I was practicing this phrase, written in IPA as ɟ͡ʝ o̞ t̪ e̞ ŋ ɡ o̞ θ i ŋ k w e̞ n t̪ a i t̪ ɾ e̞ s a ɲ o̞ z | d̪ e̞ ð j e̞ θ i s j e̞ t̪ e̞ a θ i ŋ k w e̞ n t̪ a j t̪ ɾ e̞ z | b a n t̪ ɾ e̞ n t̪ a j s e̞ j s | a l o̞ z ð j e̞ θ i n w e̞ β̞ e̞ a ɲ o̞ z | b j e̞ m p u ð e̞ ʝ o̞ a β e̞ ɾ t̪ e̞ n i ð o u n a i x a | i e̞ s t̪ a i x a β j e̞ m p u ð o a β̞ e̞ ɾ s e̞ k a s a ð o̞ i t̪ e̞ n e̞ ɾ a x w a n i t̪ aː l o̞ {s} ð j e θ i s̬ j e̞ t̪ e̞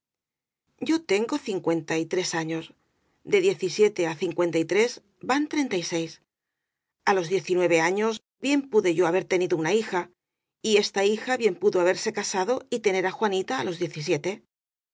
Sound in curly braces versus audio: incorrect: z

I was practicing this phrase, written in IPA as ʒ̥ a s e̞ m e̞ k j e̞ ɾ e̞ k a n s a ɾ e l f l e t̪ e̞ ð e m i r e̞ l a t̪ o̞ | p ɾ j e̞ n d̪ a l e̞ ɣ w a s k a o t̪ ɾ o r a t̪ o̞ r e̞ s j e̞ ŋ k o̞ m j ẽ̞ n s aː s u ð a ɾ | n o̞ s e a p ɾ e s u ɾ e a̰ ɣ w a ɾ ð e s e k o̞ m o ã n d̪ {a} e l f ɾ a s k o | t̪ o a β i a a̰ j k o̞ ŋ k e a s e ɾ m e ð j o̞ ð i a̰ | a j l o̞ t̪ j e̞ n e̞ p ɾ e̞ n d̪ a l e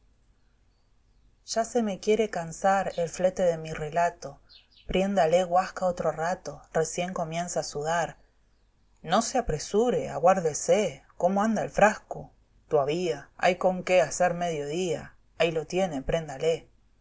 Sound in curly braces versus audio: correct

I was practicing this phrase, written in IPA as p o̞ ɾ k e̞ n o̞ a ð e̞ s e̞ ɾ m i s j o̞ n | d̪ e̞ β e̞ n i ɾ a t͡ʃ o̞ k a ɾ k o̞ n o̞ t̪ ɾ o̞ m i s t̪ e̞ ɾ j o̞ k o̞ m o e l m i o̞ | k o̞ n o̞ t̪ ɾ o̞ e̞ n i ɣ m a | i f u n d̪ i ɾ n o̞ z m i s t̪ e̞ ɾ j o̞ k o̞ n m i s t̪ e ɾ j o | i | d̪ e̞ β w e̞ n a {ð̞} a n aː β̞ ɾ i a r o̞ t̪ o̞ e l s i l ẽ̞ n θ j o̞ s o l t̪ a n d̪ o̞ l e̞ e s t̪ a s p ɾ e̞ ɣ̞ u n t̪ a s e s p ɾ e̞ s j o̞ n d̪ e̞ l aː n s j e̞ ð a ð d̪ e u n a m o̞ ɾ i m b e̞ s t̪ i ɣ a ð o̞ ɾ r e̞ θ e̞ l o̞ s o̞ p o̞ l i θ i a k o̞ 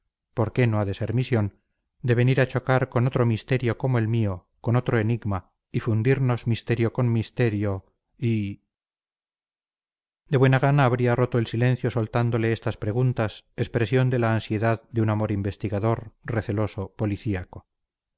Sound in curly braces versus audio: incorrect: ɣ̞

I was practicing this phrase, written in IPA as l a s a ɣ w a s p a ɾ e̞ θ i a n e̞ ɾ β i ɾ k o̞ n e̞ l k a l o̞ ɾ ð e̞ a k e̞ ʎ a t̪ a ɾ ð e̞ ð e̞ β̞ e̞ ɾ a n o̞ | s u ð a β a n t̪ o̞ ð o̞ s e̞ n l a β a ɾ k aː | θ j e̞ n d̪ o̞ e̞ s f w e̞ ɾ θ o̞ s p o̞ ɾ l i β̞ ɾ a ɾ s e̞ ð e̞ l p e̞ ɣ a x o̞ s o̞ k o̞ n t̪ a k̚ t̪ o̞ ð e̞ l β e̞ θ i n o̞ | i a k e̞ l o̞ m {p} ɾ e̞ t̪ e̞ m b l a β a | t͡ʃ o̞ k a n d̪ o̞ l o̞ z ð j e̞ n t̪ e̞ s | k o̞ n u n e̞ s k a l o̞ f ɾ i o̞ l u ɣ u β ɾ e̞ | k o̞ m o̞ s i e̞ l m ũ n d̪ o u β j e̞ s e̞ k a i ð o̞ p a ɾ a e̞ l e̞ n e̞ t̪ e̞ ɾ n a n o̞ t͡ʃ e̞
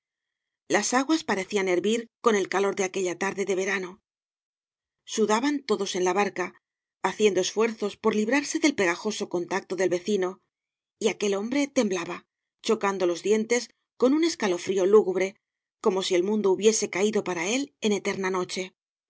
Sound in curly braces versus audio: incorrect: b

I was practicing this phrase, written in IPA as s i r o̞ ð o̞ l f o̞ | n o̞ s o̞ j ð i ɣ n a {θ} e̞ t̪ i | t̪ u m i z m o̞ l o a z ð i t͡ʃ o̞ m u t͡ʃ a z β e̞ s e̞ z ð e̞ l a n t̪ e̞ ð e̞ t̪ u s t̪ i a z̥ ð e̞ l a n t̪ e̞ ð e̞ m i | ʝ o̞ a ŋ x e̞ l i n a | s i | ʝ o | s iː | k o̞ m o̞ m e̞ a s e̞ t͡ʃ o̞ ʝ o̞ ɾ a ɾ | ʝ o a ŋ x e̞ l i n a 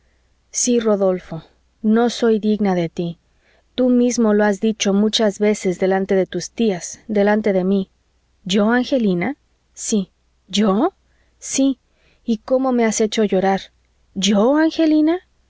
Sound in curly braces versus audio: incorrect: ð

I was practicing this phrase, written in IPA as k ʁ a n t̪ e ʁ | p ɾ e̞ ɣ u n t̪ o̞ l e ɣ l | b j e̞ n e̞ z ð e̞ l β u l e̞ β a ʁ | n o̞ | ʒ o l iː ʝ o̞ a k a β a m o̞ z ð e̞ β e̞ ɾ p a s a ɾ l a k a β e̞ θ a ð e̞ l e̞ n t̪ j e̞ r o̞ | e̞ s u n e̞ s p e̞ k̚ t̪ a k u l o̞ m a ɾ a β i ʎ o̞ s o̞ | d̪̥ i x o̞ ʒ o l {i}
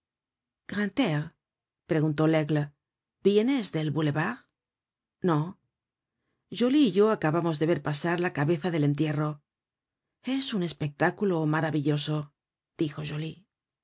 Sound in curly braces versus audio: correct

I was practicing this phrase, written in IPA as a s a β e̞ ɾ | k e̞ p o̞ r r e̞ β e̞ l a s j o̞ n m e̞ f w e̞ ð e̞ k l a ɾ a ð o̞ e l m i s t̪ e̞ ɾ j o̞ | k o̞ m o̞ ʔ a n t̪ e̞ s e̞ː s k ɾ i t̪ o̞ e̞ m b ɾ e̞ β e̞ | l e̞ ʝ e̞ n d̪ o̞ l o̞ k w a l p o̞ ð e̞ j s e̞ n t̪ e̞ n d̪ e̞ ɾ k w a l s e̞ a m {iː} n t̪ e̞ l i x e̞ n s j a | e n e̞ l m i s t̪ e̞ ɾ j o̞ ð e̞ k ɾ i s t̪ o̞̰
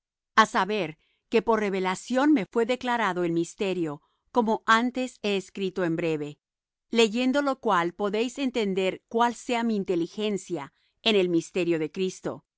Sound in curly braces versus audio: correct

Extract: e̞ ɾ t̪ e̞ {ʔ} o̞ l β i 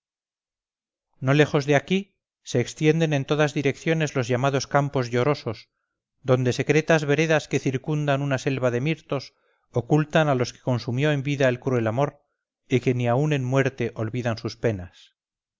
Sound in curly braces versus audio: correct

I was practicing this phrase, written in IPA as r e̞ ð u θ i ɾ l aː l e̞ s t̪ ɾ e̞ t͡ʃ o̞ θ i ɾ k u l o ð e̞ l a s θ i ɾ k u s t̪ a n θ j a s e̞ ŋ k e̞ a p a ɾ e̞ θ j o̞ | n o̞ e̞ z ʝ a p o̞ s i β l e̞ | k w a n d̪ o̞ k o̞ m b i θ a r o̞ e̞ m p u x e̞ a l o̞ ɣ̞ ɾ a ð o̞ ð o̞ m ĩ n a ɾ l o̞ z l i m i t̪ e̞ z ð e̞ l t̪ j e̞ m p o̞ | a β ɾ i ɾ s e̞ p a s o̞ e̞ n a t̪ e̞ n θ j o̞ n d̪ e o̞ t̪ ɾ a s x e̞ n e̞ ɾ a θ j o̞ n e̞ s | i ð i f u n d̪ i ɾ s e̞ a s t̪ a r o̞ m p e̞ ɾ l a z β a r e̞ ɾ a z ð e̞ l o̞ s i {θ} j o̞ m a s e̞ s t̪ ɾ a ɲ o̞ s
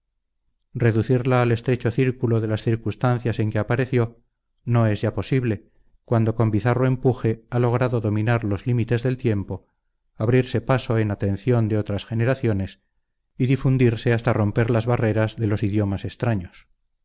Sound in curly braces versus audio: incorrect: ð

